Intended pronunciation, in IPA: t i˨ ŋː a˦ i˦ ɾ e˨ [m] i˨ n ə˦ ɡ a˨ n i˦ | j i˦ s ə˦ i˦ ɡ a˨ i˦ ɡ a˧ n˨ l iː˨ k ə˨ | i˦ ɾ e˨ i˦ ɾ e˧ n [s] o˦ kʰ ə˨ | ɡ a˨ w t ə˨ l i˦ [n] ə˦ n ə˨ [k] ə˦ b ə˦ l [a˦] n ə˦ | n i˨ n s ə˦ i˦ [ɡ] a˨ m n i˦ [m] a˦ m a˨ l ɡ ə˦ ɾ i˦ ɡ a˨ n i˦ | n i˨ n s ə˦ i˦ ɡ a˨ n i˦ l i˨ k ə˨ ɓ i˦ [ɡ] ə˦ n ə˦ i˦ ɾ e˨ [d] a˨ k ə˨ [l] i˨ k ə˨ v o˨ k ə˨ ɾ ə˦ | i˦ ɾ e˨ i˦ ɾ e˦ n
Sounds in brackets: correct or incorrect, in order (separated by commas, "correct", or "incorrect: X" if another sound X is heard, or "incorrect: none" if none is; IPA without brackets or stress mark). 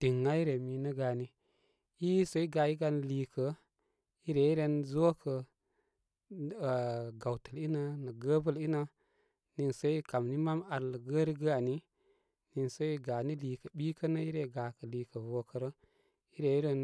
correct, incorrect: z, correct, incorrect: ɡ, incorrect: i˦, incorrect: k, correct, incorrect: k, incorrect: ɡ, correct